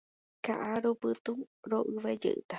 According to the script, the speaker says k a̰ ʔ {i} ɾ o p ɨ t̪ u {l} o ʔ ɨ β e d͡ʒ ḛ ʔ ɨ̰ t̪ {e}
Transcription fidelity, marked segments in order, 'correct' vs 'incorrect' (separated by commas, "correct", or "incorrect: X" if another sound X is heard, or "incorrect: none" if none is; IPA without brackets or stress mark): incorrect: a, incorrect: ɾ, incorrect: a